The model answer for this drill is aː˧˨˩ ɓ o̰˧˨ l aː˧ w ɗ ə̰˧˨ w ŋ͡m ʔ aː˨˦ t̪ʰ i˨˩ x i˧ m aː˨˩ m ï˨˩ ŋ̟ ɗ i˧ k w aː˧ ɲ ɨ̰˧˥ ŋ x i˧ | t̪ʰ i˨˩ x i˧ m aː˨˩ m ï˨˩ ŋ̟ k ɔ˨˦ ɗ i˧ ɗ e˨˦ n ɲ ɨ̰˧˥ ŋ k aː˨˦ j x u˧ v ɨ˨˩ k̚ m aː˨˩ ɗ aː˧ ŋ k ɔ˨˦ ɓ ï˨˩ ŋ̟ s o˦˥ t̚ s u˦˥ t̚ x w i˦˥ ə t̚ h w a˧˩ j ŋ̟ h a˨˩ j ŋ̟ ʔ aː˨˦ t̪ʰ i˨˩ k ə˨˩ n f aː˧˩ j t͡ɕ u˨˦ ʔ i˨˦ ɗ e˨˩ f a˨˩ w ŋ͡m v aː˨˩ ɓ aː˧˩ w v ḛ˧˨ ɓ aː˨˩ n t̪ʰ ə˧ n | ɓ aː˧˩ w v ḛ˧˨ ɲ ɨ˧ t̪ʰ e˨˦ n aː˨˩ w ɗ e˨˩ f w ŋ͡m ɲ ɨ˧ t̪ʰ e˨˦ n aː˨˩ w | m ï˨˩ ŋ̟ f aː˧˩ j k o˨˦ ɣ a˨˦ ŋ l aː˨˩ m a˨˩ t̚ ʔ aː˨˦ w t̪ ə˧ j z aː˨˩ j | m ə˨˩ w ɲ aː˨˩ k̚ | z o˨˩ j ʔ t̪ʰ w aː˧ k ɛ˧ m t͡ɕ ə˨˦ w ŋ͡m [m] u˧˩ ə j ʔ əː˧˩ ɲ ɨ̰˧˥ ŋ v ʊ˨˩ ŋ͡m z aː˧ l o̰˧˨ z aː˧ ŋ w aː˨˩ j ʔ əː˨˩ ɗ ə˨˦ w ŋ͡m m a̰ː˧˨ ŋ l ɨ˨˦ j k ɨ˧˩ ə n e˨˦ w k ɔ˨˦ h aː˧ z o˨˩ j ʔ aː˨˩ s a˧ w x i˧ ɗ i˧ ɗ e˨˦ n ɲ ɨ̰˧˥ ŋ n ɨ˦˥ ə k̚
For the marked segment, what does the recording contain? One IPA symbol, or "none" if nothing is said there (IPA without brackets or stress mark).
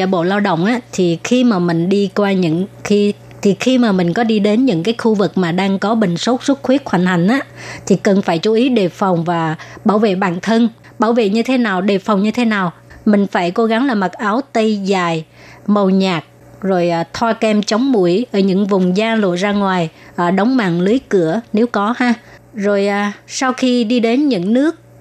m